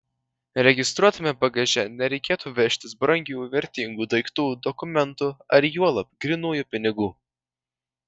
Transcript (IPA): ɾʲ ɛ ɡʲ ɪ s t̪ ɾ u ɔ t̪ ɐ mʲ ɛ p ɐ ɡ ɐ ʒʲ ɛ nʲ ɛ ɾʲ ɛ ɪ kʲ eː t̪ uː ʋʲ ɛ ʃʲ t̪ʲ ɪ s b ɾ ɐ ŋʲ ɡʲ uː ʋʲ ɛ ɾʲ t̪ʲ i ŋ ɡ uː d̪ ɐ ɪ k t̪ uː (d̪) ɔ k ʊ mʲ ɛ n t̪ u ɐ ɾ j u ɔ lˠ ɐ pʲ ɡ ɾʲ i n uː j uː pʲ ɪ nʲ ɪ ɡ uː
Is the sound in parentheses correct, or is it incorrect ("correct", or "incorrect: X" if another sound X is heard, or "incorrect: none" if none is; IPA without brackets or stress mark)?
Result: correct